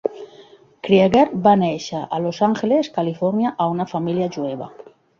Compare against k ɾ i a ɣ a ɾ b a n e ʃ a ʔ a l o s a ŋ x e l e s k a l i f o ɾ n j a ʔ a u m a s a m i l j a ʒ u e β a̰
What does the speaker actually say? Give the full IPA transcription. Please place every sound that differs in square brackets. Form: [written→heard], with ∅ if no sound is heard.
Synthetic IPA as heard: k ɾ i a ɣ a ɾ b a n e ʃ a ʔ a l o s a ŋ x e l e s k a l i f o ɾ n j a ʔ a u [m→n] a [s→f] a m i l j a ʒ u e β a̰